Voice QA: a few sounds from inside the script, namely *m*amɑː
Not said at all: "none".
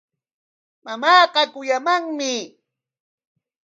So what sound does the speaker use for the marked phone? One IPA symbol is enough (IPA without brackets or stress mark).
m